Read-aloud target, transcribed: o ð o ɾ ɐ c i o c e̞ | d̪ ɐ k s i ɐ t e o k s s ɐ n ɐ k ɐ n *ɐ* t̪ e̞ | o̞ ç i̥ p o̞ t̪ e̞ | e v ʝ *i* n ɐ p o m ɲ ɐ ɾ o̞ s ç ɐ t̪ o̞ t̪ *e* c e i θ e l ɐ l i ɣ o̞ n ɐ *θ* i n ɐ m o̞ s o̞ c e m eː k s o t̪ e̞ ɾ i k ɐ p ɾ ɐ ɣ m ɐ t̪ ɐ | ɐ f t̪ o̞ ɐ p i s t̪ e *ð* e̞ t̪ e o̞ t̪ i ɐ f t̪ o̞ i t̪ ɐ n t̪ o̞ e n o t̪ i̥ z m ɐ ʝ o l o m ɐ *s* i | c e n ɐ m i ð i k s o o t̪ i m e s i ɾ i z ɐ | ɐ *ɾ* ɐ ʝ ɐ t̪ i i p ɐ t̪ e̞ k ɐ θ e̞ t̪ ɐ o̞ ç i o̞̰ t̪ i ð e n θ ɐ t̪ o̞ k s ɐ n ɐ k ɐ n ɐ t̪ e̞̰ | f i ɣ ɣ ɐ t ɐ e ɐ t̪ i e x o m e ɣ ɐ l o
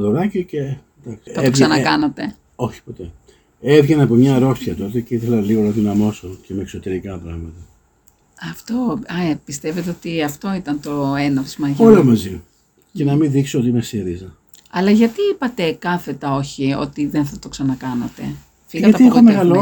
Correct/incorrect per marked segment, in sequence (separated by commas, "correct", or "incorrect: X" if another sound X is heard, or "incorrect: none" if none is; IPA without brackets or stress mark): correct, incorrect: e, correct, incorrect: ð, incorrect: v, incorrect: z, incorrect: l